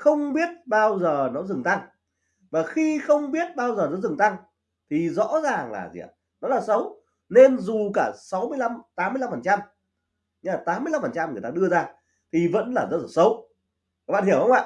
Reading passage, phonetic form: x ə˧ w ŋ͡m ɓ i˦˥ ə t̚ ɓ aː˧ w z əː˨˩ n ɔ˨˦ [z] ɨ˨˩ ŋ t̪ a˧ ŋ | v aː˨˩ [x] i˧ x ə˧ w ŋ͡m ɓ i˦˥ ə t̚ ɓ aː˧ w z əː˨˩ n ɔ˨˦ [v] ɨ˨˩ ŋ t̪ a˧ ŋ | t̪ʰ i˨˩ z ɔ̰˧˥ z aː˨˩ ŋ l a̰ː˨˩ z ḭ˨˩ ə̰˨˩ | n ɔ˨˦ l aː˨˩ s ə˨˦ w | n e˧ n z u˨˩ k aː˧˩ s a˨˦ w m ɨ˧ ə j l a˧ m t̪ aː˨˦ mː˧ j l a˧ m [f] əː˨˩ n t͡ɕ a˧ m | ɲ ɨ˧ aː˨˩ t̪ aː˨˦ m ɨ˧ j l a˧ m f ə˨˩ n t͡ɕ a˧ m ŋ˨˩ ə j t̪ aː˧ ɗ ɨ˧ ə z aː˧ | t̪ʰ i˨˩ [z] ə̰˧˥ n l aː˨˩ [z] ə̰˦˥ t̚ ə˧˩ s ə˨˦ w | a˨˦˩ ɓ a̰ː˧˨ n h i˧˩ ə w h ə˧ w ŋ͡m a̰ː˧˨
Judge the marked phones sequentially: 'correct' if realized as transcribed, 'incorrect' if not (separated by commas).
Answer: correct, correct, incorrect, correct, incorrect, correct